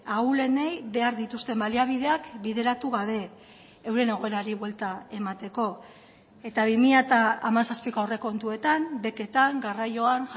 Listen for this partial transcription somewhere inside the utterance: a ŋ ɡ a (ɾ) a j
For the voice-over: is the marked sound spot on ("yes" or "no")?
no